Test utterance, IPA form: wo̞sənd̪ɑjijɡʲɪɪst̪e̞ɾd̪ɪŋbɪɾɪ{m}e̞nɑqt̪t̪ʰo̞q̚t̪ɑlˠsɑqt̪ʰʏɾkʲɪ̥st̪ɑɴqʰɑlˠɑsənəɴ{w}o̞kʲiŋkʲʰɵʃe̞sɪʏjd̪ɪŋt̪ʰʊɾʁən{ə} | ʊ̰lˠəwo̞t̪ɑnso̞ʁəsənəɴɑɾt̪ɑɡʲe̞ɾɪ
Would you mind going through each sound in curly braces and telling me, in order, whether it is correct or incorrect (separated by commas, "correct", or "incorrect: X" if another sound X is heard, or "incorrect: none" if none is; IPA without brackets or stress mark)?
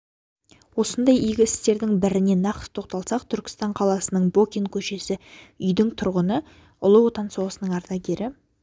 incorrect: n, incorrect: b, correct